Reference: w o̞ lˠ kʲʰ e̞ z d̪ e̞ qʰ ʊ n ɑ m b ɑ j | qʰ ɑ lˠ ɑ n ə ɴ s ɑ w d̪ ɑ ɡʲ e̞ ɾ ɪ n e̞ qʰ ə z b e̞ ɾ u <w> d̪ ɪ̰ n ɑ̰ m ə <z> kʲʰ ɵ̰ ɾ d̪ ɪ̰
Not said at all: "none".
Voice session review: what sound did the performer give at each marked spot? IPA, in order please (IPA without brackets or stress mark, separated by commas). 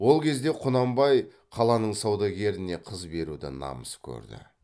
none, s